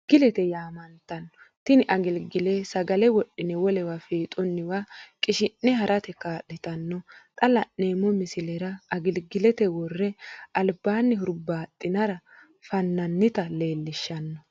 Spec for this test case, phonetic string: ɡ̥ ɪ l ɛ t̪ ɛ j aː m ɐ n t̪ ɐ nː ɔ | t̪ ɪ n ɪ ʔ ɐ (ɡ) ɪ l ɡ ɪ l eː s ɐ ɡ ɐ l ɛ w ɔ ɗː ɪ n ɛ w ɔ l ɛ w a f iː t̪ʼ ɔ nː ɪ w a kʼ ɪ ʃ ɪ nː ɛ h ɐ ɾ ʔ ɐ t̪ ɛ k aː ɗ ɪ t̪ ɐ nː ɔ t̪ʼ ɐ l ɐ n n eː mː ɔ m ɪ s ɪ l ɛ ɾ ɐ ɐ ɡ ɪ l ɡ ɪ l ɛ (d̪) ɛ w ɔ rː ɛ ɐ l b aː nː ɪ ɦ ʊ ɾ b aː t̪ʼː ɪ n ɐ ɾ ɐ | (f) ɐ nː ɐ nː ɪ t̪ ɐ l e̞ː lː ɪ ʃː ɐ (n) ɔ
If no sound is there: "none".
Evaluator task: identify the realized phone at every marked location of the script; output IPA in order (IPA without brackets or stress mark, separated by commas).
ɡ, t̪, f, nː